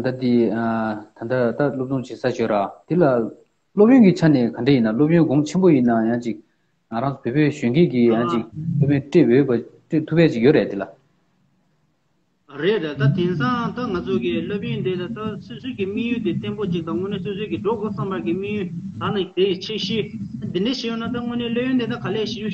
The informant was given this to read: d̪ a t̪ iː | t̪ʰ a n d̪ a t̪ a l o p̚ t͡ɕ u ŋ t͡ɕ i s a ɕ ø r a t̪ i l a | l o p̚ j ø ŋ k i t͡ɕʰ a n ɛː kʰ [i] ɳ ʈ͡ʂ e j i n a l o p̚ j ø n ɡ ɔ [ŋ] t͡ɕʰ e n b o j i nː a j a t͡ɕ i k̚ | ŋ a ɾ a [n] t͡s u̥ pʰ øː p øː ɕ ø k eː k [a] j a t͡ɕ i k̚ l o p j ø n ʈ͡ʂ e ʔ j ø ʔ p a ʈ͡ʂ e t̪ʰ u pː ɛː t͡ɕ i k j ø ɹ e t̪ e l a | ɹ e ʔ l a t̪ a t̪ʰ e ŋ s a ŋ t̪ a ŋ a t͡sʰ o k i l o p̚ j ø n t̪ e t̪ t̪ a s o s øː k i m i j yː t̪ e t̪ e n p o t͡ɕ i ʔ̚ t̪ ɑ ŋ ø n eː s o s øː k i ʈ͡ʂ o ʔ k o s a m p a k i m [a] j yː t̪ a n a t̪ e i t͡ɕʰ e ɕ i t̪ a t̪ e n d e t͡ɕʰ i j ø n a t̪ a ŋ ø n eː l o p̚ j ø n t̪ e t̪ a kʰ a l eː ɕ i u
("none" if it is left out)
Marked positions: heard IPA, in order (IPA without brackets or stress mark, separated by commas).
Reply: a, ŋ, ŋ, i, i